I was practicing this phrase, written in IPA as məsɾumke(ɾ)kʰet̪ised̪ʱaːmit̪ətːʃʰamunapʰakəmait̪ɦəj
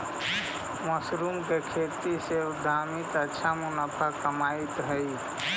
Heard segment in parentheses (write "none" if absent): none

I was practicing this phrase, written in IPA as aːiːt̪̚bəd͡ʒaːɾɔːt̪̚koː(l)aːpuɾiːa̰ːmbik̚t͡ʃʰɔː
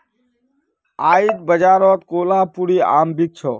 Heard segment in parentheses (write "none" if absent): l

